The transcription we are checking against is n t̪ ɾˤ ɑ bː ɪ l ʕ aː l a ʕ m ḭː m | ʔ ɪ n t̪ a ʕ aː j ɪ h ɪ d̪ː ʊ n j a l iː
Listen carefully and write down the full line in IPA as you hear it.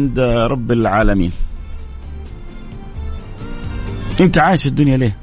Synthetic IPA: n d̪ ɾˤ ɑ bː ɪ l ʕ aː l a m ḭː n | ʔ ɪ n t̪ a ʕ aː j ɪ ʃ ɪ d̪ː ʊ n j a l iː